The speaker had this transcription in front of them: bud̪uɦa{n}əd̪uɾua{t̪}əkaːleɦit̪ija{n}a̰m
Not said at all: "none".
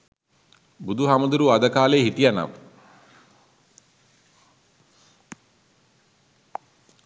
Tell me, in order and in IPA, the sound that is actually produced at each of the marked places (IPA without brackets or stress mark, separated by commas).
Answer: m, d̪, n